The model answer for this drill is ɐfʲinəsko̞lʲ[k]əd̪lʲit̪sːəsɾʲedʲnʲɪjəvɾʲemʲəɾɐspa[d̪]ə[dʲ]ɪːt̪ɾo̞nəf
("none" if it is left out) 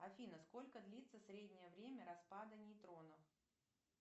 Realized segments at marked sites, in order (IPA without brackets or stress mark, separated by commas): k, d̪, nʲ